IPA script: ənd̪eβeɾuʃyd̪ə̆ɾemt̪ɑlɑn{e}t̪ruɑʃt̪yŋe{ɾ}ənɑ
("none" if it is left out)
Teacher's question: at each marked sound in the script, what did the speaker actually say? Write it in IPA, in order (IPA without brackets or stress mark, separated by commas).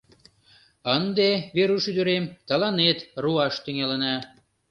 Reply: e, l